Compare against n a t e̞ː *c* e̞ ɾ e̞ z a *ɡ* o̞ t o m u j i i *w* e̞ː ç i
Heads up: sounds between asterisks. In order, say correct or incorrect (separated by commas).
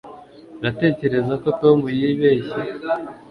correct, incorrect, incorrect